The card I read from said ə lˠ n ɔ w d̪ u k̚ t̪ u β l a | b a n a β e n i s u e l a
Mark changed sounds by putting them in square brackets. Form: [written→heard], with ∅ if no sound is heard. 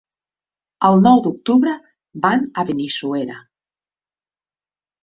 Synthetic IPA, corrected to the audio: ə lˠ n ɔ w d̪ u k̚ t̪ u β [l→ɾ] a | b a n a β e n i s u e [l→ɾ] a

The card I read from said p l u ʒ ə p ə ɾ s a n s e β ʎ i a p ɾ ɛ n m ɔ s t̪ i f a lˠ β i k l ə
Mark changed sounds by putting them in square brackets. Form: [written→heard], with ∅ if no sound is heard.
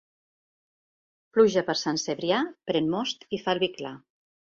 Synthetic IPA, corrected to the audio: p l u ʒ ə p ə ɾ s a n s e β [ʎ→ɾ] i a p ɾ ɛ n m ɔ s t̪ i f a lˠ β i k l [ə→a]

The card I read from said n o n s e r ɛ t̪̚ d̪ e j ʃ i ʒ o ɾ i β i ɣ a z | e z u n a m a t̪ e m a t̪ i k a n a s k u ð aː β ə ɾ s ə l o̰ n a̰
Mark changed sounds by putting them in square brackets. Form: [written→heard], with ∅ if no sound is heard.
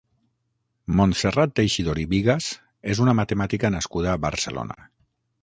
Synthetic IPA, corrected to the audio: [n→m] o n s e r [ɛ→a] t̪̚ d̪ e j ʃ i [ʒ→ð] o ɾ i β i ɣ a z | e z u n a m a t̪ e m a t̪ i k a n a s k u ð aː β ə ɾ s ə l o̰ n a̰

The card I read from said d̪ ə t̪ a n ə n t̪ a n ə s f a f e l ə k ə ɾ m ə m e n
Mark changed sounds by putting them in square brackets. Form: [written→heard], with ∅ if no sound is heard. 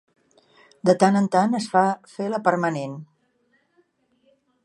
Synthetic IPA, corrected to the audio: d̪ ə t̪ a n ə n t̪ a n ə s f a f e l ə [k→p] ə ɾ m ə [m→n] e n

